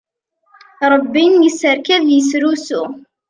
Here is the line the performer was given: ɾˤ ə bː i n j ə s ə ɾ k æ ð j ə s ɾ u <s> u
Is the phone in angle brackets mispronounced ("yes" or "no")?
no